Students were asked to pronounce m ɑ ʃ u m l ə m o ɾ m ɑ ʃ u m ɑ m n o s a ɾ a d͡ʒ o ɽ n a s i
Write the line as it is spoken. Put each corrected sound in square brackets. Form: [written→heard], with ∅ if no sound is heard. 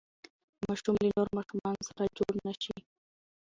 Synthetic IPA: m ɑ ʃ u m l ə [m→n] o ɾ m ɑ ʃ u m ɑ [m→∅] n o s a ɾ a d͡ʒ o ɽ n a [s→ʃ] i